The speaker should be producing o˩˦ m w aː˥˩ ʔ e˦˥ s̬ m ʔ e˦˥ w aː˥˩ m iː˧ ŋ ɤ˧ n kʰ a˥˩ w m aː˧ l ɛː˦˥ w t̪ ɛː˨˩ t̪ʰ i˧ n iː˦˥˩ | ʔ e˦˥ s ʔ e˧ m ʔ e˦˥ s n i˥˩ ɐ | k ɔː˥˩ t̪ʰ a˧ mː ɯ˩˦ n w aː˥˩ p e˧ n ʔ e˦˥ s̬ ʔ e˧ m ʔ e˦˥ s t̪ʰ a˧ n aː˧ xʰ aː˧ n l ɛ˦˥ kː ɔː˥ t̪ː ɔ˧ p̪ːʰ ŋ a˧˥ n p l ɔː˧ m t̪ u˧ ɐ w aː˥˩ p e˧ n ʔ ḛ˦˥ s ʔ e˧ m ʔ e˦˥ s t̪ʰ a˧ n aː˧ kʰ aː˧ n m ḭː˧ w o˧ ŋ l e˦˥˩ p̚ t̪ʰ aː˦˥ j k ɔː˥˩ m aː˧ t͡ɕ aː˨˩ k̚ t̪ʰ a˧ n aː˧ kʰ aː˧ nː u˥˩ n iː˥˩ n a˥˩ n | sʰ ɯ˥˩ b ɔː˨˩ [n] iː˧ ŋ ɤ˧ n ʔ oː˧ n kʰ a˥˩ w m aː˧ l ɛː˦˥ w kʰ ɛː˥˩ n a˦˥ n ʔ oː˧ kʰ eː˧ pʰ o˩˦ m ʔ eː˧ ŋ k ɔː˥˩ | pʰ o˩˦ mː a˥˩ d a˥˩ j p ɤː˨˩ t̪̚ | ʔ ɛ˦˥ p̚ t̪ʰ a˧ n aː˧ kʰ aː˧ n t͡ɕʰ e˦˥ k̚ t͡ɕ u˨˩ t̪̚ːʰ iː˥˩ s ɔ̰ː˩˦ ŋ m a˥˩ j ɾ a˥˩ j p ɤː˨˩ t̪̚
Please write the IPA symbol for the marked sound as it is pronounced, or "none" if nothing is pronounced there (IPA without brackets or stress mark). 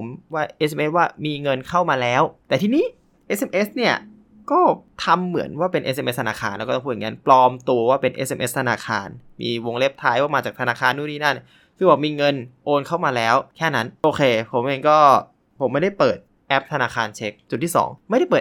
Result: m